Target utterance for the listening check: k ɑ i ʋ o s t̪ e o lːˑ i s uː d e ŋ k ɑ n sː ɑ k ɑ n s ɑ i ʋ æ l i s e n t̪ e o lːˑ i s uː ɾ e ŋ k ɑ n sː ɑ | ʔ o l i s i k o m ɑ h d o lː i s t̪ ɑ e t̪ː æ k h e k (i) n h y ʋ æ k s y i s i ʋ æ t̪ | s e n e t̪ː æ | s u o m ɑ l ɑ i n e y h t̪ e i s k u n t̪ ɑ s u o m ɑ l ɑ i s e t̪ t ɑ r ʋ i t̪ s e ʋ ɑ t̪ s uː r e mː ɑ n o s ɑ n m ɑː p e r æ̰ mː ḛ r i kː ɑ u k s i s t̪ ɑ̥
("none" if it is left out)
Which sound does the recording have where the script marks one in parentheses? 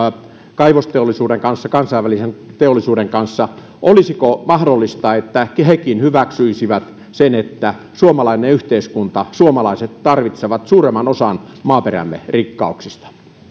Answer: i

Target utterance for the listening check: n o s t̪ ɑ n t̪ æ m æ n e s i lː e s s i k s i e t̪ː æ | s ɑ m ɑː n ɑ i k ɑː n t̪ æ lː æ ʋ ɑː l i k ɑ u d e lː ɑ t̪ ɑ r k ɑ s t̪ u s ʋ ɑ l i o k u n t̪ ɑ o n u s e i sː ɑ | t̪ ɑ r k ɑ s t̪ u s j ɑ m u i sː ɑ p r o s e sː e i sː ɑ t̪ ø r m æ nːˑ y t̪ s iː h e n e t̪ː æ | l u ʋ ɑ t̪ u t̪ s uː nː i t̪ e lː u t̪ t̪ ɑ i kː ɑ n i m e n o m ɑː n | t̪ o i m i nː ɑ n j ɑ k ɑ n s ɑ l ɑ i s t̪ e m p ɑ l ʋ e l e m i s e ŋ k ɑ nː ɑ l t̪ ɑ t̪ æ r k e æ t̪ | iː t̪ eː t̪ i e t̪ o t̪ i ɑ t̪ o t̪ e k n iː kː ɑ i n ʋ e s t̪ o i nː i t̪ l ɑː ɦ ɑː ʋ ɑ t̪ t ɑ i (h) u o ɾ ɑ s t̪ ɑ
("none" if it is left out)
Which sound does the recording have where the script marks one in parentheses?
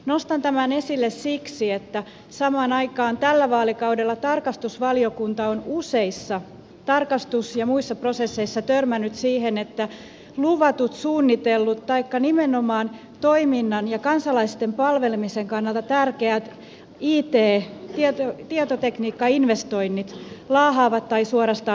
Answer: s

